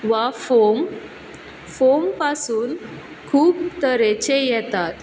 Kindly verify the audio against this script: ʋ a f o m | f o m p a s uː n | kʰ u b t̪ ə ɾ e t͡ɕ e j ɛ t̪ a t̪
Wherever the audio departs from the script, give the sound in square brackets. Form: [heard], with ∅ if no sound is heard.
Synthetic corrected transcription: ʋ a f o m | f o m p a s uː n | kʰ [uː] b t̪ ə ɾ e t͡ɕ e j ɛ t̪ a t̪